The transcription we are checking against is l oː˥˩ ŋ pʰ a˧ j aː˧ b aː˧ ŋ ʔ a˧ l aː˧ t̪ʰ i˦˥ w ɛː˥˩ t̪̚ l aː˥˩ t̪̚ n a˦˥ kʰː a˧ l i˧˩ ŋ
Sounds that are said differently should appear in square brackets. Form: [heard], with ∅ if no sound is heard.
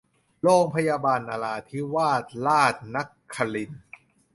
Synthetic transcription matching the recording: l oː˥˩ ŋ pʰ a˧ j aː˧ b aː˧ [n] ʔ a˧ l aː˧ t̪ʰ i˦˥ w [aː˥˩] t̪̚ l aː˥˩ t̪̚ n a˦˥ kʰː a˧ l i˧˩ [n]

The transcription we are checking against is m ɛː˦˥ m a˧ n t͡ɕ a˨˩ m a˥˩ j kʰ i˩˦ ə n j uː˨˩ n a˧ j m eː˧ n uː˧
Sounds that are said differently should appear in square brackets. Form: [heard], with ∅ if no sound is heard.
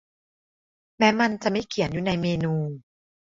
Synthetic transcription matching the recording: m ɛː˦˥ m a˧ n t͡ɕ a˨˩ m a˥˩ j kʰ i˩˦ ə n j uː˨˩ n a˧ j m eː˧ n uː˧

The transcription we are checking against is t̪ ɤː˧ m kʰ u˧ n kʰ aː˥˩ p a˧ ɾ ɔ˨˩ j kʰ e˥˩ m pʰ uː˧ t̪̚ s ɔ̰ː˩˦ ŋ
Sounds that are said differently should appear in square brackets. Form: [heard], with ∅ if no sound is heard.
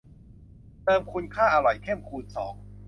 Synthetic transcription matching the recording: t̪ ɤː˧ m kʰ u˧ n kʰ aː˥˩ [ʔ] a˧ ɾ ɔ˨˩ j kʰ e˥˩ m [kʰ] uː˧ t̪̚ s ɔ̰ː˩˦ ŋ

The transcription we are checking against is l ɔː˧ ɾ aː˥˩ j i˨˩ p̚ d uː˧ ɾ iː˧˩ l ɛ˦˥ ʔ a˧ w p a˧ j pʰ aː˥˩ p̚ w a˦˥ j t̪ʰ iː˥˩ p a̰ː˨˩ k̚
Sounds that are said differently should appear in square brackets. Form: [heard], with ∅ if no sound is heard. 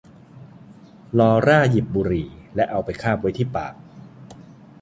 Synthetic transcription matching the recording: l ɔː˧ ɾ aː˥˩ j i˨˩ p̚ [b] uː˧ ɾ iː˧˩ l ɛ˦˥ ʔ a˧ w p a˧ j [kʰ] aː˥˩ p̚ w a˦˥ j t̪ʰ iː˥˩ p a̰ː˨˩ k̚

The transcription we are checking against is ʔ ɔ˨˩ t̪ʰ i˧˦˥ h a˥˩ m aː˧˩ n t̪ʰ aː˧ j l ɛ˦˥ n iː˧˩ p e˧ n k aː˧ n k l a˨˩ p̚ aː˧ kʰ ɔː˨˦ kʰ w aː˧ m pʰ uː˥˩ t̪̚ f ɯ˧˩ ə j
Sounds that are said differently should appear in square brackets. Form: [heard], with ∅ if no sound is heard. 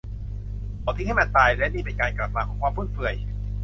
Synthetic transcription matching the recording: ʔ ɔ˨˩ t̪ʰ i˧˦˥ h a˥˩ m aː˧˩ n [t̪] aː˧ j l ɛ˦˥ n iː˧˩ p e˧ n k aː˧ n k l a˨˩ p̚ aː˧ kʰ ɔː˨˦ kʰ w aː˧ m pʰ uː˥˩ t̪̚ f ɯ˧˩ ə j

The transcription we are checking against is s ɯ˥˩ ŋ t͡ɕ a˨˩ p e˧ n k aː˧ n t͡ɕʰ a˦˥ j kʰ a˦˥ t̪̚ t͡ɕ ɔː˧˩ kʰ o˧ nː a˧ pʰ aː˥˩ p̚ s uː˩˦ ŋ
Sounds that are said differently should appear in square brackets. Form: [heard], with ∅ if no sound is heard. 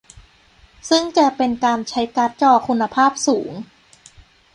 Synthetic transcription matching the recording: s ɯ˥˩ ŋ t͡ɕ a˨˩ p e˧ n k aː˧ n t͡ɕʰ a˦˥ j [k] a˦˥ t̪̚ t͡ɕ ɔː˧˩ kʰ [u˧] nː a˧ pʰ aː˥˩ p̚ s uː˩˦ ŋ

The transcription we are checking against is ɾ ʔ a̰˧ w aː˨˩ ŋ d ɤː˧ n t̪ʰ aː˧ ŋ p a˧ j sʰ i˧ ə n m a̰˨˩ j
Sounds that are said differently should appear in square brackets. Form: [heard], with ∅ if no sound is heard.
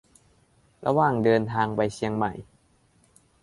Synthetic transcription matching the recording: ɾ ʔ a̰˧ w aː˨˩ ŋ d ɤː˧ n t̪ʰ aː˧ ŋ p a˧ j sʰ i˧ ə [ŋ] m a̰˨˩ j

